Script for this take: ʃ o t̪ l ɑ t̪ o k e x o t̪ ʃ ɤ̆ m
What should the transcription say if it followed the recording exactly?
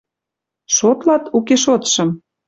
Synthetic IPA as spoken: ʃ o t̪ l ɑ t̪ u k e ʃ o t̪ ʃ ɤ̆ m